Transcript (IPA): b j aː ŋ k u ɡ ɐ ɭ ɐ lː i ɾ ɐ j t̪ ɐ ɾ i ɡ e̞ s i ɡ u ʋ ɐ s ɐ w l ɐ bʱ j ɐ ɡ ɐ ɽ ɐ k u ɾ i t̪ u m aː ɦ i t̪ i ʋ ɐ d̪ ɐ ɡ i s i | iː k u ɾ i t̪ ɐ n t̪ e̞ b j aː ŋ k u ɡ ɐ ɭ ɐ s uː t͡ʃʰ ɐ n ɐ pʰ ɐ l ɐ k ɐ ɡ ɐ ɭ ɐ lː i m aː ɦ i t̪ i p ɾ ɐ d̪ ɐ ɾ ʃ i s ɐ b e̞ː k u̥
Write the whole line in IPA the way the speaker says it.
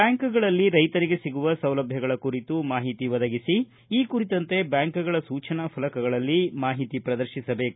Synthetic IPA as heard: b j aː ŋ k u ɡ ɐ ɭ ɐ lː i ɾ ɐ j t̪ ɐ ɾ i ɡ e̞ s i ɡ u ʋ ɐ s ɐ w l ɐ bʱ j ɐ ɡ ɐ ɭ ɐ k u ɾ i t̪ u m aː ɦ i t̪ i ʋ ɐ d̪ ɐ ɡ i s i | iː k u ɾ i t̪ ɐ n t̪ e̞ b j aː ŋ k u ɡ ɐ ɭ ɐ s uː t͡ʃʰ ɐ n ɐ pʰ ɐ l ɐ k ɐ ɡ ɐ ɭ ɐ lː i m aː ɦ i t̪ i p ɾ ɐ d̪ ɐ ɾ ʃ i s ɐ b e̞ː k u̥

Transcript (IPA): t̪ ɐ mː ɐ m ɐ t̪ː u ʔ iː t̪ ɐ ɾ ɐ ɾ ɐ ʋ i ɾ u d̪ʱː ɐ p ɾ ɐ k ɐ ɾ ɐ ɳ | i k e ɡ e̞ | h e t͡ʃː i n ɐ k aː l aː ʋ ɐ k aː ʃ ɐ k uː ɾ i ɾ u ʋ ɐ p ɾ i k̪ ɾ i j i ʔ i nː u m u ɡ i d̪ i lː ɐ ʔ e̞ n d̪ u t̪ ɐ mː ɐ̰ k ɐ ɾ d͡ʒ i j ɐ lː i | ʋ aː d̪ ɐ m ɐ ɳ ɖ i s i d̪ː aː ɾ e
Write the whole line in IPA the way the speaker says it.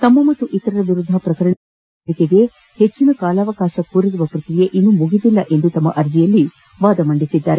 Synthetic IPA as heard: t̪ ɐ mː ɐ m ɐ t̪ː u ʔ i t̪ ɐ ɾ ɐ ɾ ɐ ʋ i ɾ u d̪ʱː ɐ p ɾ ɐ k ɐ ɾ ɐ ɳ | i k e ɡ e̞ | h e t͡ʃː i n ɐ k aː l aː ʋ ɐ k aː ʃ ɐ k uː ɾ i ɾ u ʋ ɐ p ɾ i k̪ ɾ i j e ʔ i nː u m u ɡ i d̪ i lː ɐ ʔ e̞ n d̪ u t̪ ɐ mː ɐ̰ ʔ ɐ ɾ d͡ʒ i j ɐ lː i | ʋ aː d̪ ɐ m ɐ ɳ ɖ i s i d̪ː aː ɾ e

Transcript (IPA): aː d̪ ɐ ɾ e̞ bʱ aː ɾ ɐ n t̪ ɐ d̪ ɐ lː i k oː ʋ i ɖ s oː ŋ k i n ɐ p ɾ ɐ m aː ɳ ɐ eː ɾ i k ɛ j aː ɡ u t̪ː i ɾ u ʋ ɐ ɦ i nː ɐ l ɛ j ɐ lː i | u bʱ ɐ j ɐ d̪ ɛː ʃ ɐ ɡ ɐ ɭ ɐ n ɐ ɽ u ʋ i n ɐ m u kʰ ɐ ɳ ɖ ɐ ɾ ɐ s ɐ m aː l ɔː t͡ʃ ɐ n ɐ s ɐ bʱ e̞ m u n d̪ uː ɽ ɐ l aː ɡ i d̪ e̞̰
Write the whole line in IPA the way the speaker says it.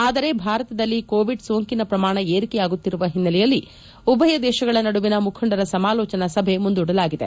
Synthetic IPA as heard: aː d̪ ɐ ɾ e̞ bʱ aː ɾ ɐ t̪ ɐ d̪ ɐ lː i k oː ʋ i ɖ s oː ŋ k i n ɐ p ɾ ɐ m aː ɳ ɐ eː ɾ i k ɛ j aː ɡ u t̪ː i ɾ u ʋ ɐ ɦ i nː ɐ l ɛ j ɐ lː i | u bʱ ɐ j ɐ d̪ ɛː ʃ ɐ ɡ ɐ ɭ ɐ n ɐ ɽ u ʋ i n ɐ m u kʰ ɐ ɳ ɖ ɐ ɾ ɐ s ɐ m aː l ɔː t͡ʃ ɐ n ɐ s ɐ bʱ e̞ m u n d̪ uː ɽ ɐ l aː ɡ i d̪ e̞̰

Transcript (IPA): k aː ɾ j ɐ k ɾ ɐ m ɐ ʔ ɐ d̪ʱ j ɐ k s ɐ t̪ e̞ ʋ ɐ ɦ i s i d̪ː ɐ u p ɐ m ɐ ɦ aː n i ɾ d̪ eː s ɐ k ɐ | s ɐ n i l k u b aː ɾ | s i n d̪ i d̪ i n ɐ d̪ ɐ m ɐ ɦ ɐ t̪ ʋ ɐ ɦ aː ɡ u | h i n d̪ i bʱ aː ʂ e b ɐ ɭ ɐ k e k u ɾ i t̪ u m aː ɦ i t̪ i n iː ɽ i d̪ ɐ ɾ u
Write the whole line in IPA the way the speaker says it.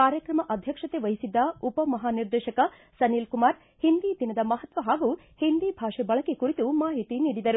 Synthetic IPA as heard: k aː ɾ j ɐ k ɾ ɐ m ɐ ʔ ɐ d̪ʱ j ɐ k ʂ ɐ t̪ e̞ ʋ ɐ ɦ i s i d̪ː ɐ u p ɐ m ɐ ɦ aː n i ɾ d̪ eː ʃ ɐ k ɐ | s ɐ n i l k u m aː ɾ | h i n d̪ i d̪ i n ɐ d̪ ɐ m ɐ ɦ ɐ t̪ ʋ ɐ ɦ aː ɡ u | h i n d̪ i bʱ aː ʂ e b ɐ ɭ ɐ k e k u ɾ i t̪ u m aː ɦ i t̪ i n iː ɽ i d̪ ɐ ɾ u

